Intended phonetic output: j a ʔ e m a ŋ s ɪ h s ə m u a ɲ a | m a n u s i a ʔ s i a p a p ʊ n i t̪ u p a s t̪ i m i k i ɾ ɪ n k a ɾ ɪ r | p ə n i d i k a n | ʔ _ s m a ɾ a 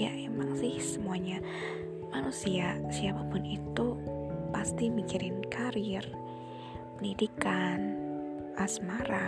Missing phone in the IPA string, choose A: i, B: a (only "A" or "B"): B